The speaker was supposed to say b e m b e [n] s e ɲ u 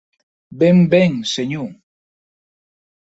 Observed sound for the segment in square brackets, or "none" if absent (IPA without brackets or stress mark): ŋ